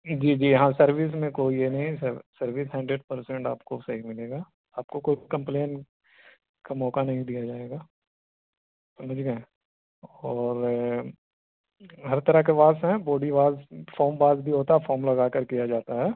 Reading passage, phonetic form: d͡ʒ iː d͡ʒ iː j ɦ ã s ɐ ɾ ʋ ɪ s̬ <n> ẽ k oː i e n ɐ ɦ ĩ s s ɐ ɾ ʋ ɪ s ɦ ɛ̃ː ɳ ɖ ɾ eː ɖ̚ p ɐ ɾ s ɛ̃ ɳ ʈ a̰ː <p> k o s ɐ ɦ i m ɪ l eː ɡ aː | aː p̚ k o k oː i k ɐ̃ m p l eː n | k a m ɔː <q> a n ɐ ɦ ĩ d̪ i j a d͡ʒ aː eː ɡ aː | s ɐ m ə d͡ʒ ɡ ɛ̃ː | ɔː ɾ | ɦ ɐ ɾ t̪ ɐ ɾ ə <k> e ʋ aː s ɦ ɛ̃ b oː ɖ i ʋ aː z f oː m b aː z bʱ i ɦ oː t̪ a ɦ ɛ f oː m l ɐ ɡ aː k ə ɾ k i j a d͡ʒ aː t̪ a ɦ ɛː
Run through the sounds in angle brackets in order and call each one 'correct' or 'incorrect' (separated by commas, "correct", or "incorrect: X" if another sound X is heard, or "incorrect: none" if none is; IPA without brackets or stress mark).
incorrect: m, correct, incorrect: k, correct